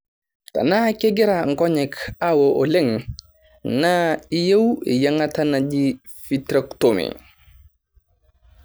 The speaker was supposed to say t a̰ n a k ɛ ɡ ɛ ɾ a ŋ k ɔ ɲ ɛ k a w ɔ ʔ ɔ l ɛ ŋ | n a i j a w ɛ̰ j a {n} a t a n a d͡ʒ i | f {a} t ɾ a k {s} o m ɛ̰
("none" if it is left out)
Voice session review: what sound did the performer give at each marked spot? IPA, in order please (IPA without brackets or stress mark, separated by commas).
ŋ, i, t